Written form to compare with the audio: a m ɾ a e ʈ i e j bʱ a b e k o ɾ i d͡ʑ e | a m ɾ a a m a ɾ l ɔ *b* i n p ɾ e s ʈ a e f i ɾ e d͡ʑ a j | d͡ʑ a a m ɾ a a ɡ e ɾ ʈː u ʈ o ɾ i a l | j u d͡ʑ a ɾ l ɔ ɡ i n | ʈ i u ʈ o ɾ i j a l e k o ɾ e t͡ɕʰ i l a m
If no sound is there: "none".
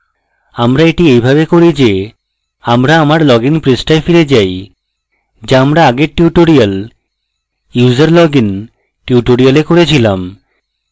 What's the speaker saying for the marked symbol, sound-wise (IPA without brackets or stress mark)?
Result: ɡ